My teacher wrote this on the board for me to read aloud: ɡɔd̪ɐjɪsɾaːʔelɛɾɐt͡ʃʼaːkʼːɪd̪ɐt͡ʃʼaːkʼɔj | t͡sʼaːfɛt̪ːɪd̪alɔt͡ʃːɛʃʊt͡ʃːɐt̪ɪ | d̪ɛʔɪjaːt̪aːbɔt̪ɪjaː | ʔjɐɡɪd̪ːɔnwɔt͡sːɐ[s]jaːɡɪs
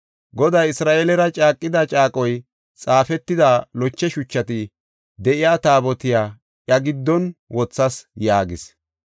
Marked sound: correct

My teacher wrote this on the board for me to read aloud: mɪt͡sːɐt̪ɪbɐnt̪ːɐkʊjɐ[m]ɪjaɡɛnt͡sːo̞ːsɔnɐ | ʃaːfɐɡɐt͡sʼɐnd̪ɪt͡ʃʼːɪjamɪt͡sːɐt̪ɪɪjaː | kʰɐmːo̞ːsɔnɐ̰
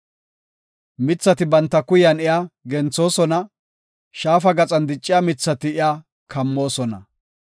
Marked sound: incorrect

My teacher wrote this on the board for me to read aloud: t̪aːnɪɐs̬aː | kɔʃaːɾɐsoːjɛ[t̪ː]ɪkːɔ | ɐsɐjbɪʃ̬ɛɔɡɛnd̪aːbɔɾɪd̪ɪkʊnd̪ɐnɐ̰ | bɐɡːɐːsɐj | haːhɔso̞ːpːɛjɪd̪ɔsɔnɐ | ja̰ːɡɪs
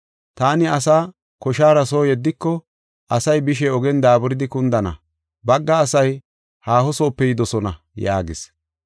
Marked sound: incorrect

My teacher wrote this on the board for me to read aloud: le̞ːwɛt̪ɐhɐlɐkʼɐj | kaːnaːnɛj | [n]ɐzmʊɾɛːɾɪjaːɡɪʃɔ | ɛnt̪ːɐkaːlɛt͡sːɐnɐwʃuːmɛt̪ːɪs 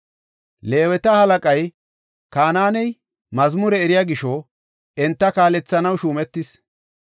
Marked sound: incorrect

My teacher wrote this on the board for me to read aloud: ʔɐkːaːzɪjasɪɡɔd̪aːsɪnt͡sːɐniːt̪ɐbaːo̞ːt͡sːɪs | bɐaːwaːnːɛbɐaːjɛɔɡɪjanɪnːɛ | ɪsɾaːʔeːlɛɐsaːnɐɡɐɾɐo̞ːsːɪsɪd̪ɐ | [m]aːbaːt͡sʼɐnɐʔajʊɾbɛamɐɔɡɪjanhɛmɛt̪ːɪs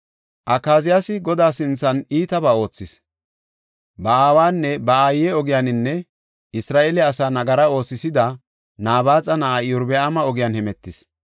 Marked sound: incorrect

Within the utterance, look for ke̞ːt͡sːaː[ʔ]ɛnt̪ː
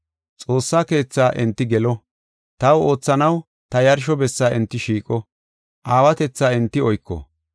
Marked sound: correct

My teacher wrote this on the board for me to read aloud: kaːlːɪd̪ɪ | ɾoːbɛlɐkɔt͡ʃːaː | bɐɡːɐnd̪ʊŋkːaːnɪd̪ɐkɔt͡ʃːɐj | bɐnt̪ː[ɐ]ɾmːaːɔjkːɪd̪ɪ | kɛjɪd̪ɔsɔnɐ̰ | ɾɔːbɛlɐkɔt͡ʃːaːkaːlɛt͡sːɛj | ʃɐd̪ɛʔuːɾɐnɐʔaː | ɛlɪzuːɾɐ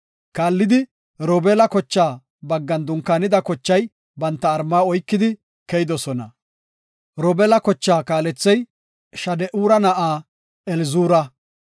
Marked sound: incorrect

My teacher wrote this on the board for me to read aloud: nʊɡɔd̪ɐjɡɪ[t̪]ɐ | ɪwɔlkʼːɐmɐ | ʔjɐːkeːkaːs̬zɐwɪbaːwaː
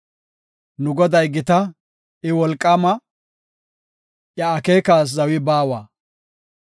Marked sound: correct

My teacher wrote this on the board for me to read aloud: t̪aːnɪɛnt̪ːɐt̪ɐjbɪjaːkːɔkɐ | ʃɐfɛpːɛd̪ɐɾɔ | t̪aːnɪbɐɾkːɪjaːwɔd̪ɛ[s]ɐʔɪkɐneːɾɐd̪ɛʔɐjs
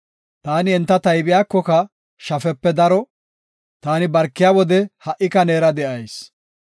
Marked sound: incorrect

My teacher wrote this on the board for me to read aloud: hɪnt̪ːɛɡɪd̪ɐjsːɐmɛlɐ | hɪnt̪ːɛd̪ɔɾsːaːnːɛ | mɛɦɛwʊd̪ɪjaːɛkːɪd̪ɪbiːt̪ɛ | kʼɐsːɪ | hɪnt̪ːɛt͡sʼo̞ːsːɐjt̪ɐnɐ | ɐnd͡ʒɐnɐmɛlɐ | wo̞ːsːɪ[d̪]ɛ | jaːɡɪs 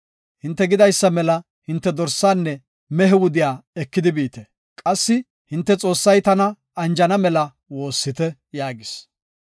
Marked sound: incorrect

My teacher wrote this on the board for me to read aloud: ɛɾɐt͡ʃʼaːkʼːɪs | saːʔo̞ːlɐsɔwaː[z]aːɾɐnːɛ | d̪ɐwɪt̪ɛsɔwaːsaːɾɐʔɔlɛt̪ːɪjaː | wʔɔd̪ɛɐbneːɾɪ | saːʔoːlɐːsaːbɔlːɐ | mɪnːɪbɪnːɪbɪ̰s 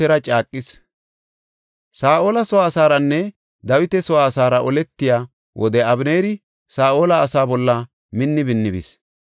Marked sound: incorrect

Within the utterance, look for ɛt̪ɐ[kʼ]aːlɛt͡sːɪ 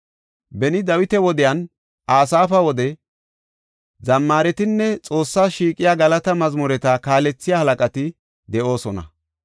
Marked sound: incorrect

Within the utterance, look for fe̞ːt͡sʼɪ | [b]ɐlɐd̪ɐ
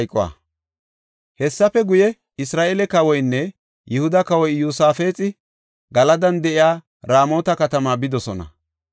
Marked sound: incorrect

